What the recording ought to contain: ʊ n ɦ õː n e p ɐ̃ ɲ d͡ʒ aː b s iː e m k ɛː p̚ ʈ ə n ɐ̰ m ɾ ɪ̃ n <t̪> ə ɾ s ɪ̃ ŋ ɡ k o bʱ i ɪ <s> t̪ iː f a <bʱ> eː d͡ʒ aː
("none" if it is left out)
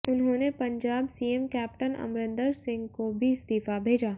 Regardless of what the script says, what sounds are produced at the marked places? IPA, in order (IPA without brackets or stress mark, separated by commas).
d̪, s, bʱ